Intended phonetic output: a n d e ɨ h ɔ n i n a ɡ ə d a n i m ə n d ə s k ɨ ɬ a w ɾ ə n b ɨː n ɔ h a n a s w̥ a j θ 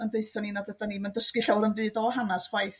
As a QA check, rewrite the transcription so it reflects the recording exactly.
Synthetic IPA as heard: ə n d e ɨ θ ɔ n i n a d ə d a n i m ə n d ə s k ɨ ɬ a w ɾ ə n b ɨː d ɔ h a n a s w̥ a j θ